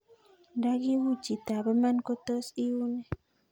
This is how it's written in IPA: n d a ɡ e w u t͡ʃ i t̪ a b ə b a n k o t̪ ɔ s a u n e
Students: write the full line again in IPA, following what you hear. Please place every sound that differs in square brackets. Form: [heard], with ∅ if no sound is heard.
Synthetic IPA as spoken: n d a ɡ [i] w u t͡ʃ i t̪ a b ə [m] a n k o t̪ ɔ s [i] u n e